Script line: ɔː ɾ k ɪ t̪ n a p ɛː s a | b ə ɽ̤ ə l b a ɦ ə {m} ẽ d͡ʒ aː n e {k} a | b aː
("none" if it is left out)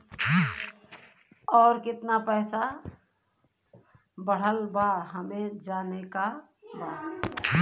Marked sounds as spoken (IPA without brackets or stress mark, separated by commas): m, k